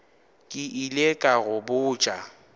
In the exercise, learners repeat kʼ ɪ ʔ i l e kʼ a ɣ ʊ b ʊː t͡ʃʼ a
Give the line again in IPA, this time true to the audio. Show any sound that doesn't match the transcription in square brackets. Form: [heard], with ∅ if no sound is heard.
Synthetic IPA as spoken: kʼ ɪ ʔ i l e kʼ a ɣ ʊ b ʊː t͡ʃʼ a